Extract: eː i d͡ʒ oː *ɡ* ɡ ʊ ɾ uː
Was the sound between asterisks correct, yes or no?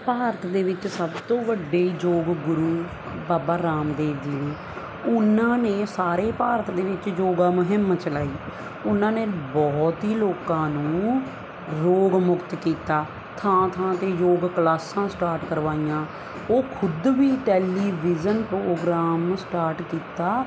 yes